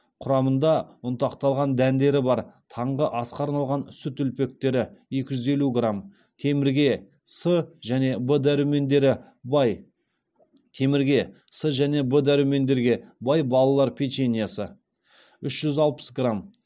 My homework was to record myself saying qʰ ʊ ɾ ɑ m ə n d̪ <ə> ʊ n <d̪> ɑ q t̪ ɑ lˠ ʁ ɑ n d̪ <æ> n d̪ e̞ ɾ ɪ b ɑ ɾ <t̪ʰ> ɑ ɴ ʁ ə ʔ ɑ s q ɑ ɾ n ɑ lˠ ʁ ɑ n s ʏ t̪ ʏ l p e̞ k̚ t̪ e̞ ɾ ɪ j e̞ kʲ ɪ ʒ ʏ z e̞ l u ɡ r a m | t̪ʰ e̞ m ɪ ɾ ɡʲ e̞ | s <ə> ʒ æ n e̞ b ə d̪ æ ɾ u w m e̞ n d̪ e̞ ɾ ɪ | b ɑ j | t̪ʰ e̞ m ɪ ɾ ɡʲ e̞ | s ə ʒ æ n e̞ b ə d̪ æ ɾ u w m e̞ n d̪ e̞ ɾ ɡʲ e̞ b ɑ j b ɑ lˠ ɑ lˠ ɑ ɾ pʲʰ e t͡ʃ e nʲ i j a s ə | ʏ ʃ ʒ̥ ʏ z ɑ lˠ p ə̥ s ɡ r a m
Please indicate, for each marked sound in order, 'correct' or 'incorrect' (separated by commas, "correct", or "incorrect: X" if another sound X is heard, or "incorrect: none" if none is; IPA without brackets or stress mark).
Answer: incorrect: ɑ, incorrect: t̪, correct, correct, correct